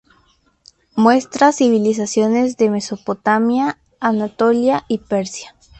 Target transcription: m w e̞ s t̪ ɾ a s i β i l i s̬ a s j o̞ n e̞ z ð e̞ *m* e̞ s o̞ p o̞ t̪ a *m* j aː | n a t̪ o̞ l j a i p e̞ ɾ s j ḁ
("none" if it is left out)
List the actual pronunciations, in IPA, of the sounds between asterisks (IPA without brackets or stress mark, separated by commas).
m, m